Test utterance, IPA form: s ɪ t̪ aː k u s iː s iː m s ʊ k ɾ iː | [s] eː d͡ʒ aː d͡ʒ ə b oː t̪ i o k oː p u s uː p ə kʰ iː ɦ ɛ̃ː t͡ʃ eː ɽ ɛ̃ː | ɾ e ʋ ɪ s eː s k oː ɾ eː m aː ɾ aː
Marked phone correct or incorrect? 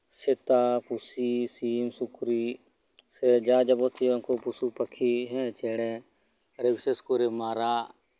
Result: correct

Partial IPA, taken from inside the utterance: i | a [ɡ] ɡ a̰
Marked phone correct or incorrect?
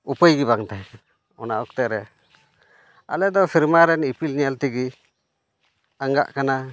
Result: incorrect: ŋ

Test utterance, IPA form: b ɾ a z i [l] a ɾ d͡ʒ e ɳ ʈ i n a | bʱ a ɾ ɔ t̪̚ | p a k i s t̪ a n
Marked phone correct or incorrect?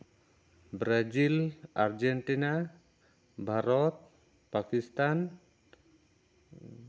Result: correct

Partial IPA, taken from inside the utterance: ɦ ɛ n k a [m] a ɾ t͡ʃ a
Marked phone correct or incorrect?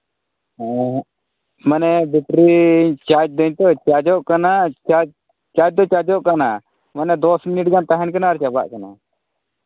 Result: incorrect: n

